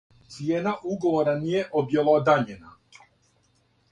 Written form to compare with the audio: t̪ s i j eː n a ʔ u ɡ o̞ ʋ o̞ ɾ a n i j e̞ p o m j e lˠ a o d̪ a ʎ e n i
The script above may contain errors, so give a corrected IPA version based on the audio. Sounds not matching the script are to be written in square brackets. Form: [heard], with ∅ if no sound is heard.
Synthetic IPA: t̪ s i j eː n a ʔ u ɡ o̞ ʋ o̞ ɾ a n i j e̞ [ʔ] o [b] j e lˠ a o d̪ a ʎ e n [a]

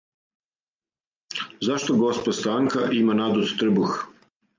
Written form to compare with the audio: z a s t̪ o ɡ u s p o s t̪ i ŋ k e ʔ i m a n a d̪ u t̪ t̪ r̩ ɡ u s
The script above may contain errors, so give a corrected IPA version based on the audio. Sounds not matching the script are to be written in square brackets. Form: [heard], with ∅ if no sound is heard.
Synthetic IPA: z a [ʃ] t̪ o ɡ [o] s p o s t̪ [a] ŋ k [a] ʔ i m a n a d̪ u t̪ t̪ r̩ [b] u [x]

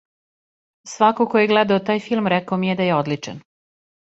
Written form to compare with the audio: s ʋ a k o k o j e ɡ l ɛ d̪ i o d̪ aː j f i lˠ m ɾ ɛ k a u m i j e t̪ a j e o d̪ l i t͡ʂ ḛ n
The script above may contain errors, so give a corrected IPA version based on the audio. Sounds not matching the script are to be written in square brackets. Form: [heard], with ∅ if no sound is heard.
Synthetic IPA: s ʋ a k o k o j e ɡ l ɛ d̪ [a] o [t̪] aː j f i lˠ m ɾ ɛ k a [o] m i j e [d̪] a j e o d̪ l i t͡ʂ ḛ n

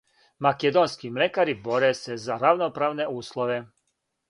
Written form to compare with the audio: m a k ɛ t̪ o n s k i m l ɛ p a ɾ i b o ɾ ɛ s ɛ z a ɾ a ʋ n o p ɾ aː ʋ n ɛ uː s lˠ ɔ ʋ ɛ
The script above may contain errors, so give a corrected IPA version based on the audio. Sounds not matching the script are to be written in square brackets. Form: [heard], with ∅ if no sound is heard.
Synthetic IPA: m a k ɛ [d̪] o n s k i m l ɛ [k] a ɾ i b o ɾ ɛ s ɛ z a ɾ a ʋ n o p ɾ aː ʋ n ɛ uː s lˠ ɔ ʋ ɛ

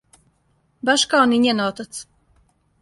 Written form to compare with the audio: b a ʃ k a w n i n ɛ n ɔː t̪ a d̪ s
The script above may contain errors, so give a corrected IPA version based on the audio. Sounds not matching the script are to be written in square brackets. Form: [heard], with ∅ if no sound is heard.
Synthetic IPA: b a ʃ k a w n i [ɲ] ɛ n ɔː t̪ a [t̪] s

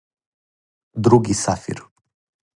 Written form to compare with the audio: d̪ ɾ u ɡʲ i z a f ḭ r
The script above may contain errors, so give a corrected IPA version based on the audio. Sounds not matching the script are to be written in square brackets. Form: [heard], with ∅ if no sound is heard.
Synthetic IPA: d̪ ɾ u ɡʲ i [s] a f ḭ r

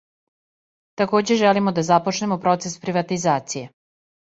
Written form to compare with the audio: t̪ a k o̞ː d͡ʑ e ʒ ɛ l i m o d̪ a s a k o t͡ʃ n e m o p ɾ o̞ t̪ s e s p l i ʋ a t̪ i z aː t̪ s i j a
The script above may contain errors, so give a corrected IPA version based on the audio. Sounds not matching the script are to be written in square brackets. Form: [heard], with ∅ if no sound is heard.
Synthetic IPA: t̪ a k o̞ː d͡ʑ e ʒ ɛ l i m o d̪ a [z] a [p] o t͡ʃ n e m o p ɾ o̞ t̪ s e s p [ɾ] i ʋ a t̪ i z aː t̪ s i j [e]

